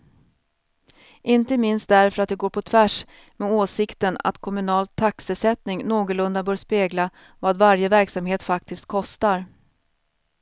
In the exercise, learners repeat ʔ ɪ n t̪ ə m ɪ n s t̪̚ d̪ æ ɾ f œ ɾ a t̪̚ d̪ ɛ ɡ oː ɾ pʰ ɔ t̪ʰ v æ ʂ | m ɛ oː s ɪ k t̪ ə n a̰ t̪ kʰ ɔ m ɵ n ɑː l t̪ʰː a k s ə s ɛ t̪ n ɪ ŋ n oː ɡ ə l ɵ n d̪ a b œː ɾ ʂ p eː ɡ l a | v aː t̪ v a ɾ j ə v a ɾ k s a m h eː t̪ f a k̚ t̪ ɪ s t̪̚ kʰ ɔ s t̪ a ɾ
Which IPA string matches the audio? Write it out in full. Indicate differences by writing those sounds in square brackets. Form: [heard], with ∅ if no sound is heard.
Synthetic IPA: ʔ ɪ n t̪ ə m ɪ n s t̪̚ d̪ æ ɾ f œ ɾ a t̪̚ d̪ ɛ ɡ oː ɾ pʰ ɔ t̪ʰ v æ ʂ | m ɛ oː s ɪ k t̪ ə n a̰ t̪ kʰ ɔ m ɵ n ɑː l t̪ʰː a k s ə s ɛ t̪ n ɪ ŋ n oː ɡ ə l ɵ n d̪ a b œː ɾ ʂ p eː ɡ l a | v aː [d̪] v a ɾ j ə v [æ] ɾ k s a m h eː t̪ f a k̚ t̪ ɪ s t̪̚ kʰ ɔ s t̪ a ɾ